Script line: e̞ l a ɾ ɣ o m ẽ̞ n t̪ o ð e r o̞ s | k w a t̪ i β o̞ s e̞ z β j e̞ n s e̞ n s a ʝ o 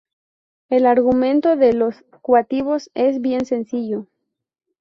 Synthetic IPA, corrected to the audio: e̞ l a ɾ ɣ u m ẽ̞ n t̪ o ð e l o̞ s | k w a t̪ i β o̞ s e̞ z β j e̞ n s e̞ n s i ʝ o